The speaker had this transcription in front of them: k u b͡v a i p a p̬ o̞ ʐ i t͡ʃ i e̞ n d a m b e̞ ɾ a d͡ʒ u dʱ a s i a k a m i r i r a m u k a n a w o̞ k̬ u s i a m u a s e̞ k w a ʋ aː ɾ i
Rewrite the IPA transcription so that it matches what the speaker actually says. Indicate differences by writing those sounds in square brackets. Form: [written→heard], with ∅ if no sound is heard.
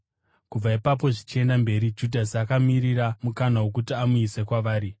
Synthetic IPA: k u b͡v a i p a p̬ o̞ ʐ i t͡ʃ i e̞ n d a m b e̞ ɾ [a→i] d͡ʒ u dʱ a s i a k a m i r i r a m u k a n a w o̞ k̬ u [s→t] i a m u [a→i] s e̞ k w a ʋ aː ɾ i